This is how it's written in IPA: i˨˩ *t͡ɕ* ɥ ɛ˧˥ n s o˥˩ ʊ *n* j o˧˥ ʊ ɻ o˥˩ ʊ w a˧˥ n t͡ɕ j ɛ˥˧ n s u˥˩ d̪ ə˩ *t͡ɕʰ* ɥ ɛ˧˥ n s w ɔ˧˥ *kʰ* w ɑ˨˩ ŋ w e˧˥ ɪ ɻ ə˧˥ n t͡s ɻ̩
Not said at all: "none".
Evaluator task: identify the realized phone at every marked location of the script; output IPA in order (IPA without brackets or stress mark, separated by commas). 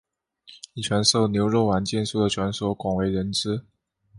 t͡ɕʰ, n, t͡ɕʰ, k